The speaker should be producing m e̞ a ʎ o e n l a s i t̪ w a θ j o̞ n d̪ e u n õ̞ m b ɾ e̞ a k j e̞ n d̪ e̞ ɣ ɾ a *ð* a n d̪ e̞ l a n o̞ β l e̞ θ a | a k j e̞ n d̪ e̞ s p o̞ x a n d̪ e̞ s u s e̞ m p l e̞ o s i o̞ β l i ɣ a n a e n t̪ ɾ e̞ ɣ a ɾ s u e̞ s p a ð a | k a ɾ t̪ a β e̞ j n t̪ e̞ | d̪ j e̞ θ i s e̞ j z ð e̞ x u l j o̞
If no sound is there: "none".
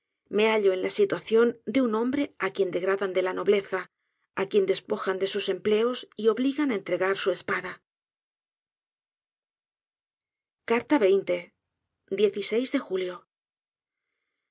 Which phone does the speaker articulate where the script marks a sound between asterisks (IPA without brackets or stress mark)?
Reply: ð